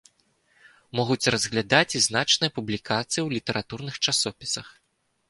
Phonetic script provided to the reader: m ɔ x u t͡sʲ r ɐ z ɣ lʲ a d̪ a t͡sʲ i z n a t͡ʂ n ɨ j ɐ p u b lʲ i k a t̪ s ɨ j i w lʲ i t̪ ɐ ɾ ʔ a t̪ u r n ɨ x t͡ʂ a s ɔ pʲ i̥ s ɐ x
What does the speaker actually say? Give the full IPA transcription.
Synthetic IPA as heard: m ɔ ɣ u t͡sʲ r ɐ z ɣ lʲ a d̪ a t͡sʲ i z n a t͡ʂ n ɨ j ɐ p u b lʲ i k a t̪ s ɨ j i w lʲ i t̪ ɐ ɾ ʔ a t̪ u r n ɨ x t͡ʂ a s ɔ pʲ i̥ s ɐ x